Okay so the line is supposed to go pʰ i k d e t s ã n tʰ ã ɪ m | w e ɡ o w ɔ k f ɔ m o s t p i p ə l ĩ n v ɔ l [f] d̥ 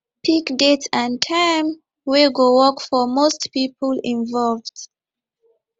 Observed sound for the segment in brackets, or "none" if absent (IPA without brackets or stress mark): v